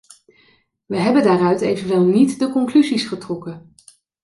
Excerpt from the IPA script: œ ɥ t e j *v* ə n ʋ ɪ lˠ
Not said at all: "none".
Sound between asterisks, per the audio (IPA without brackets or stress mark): v